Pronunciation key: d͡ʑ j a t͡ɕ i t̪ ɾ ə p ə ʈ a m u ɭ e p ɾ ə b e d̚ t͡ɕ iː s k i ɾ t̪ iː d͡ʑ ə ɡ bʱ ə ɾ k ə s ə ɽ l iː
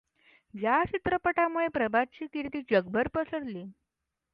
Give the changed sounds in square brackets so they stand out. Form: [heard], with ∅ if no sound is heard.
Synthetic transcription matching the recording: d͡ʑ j a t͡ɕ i t̪ ɾ ə p ə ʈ a m u ɭ e p ɾ ə b [a] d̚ t͡ɕ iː [∅] k i ɾ t̪ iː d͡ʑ ə ɡ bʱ ə ɾ [p] ə s ə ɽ l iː